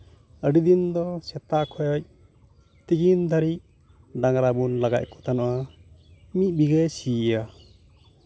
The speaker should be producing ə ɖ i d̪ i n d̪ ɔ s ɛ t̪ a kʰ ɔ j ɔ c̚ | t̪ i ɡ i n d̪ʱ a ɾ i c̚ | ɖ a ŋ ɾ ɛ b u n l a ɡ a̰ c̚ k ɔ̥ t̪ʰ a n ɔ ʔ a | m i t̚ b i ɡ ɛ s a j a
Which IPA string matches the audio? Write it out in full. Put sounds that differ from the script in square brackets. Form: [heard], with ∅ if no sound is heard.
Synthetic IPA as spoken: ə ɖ i d̪ i n d̪ ɔ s ɛ t̪ a kʰ ɔ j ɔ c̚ | t̪ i ɡ i n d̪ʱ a ɾ i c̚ | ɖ a ŋ ɾ [a] b u n l a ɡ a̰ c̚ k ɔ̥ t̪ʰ a n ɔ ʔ a | m i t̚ b i ɡ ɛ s [i] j a